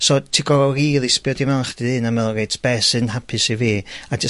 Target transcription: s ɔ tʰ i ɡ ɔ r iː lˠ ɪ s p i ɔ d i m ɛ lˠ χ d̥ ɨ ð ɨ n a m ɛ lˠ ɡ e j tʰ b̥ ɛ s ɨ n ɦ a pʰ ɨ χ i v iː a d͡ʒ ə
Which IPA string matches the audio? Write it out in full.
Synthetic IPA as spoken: s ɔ tʰ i ɡ ɔ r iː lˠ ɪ s p j ɔ d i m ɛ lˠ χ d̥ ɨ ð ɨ n a m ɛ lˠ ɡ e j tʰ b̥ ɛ s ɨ n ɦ a pʰ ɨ s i v iː a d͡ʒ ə